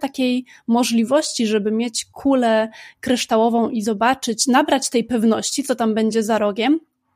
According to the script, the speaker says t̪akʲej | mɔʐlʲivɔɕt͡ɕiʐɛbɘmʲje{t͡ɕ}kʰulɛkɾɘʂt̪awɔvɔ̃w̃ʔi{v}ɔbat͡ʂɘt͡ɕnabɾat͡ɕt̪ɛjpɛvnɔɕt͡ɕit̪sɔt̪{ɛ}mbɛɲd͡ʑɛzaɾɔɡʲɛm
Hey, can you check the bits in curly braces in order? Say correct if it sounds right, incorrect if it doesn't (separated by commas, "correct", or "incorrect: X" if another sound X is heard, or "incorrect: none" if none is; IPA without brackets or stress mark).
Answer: correct, incorrect: z, incorrect: a